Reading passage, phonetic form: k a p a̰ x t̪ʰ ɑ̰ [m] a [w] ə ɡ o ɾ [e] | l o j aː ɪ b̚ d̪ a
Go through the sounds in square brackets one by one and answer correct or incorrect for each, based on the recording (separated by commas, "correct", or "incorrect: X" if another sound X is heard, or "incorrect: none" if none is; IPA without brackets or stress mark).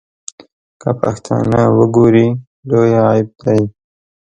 incorrect: n, correct, incorrect: i